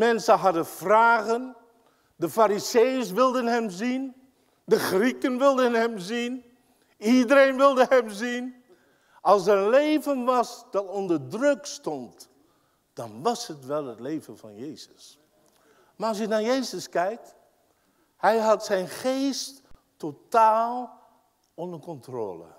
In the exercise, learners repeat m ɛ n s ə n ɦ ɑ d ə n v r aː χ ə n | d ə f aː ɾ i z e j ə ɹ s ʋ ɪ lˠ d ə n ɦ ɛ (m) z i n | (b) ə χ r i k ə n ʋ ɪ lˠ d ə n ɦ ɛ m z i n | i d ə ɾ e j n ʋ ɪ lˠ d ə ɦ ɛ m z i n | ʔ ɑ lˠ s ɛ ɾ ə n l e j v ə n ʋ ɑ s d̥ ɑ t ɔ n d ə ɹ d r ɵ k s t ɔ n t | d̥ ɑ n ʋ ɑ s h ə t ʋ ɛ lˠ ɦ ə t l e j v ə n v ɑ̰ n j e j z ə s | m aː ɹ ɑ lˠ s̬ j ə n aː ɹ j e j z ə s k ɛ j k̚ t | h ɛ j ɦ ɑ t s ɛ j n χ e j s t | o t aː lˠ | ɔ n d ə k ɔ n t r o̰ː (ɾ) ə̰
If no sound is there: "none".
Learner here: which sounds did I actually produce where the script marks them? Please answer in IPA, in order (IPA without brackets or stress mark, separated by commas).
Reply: m, d, l